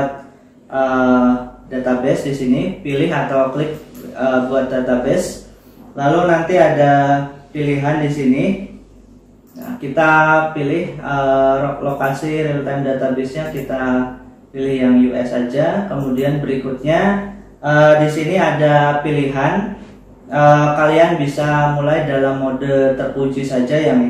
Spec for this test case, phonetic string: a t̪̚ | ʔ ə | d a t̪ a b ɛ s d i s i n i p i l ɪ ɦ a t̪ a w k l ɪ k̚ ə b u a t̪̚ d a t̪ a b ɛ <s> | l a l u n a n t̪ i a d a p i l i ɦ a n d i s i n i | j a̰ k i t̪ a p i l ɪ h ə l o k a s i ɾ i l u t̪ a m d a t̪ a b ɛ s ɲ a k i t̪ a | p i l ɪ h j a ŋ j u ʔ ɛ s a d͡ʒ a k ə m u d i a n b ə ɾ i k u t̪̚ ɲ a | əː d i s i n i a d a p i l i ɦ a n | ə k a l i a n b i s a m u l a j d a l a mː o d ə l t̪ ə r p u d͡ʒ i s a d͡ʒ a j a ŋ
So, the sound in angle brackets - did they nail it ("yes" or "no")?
yes